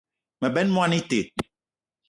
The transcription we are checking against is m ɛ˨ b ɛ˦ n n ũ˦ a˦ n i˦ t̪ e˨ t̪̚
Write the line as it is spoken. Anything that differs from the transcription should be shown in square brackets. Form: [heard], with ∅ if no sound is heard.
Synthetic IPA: m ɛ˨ b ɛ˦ n [m] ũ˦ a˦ n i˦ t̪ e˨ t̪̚